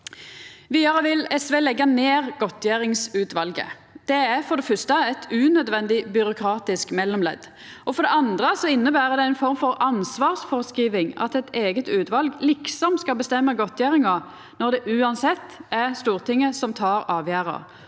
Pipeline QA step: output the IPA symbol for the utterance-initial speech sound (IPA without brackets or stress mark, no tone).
ʋ